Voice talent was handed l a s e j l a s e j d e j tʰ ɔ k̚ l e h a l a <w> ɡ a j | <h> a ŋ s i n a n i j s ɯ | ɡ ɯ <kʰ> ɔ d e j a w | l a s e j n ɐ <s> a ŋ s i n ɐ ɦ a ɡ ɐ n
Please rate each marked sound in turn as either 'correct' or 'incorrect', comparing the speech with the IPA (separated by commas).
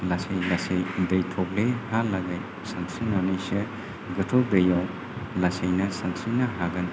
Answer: incorrect, incorrect, incorrect, correct